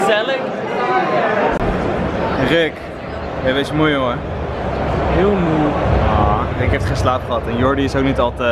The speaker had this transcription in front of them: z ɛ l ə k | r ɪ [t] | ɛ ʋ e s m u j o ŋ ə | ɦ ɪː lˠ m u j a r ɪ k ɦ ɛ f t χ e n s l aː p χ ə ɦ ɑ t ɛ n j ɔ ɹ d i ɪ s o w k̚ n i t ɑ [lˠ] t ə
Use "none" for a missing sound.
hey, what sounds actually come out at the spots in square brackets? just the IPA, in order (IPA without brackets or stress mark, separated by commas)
k, lˠ